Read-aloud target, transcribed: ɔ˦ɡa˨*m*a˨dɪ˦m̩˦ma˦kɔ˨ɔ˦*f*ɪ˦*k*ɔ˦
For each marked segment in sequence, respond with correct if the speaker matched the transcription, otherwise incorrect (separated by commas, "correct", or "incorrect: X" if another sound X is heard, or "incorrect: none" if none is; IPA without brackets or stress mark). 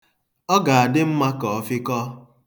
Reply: incorrect: none, correct, correct